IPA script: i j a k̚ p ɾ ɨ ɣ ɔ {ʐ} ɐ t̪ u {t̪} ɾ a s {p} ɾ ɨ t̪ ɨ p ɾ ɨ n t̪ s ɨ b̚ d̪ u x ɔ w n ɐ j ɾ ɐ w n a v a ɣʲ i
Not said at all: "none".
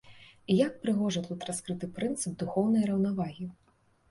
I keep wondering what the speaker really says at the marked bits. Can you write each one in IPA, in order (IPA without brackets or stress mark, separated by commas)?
ʐ, t̪, k